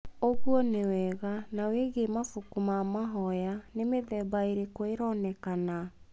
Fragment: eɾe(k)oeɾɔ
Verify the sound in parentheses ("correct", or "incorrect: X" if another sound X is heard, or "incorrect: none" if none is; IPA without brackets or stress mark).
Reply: correct